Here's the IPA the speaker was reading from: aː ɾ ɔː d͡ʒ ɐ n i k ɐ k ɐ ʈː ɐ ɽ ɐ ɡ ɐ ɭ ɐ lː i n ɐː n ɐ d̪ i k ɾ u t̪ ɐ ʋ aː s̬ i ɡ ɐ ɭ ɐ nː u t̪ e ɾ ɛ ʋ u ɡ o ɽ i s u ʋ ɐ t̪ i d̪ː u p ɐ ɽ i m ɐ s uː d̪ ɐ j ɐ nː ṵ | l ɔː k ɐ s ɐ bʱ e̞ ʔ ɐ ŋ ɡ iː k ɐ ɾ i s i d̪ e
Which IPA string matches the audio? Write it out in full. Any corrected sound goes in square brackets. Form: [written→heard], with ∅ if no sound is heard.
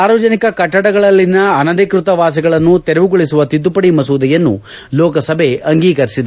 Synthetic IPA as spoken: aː ɾ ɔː d͡ʒ ɐ n i k ɐ k ɐ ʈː ɐ ɽ ɐ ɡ ɐ ɭ ɐ lː i n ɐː n ɐ d̪ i k ɾ u t̪ ɐ ʋ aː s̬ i ɡ ɐ ɭ ɐ nː u t̪ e ɾ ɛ ʋ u ɡ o [ɽ→ɭ] i s u ʋ ɐ t̪ i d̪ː u p ɐ ɽ i m ɐ s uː d̪ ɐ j ɐ nː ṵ | l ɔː k ɐ s ɐ bʱ e̞ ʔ ɐ ŋ ɡ iː k ɐ ɾ i s i d̪ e